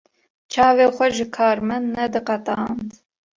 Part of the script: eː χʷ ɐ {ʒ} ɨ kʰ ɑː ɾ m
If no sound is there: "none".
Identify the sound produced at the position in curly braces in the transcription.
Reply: ʒ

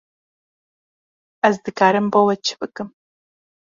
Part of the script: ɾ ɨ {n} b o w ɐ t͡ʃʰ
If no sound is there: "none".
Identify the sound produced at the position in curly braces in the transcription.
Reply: m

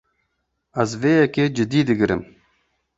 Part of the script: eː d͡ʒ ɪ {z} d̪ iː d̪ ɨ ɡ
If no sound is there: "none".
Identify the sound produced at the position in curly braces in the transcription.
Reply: none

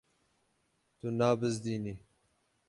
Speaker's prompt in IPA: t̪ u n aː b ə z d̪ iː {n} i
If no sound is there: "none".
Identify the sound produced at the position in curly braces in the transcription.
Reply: n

